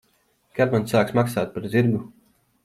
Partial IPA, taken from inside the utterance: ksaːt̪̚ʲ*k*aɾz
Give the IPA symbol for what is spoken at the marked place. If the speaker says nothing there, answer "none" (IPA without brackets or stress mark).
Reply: p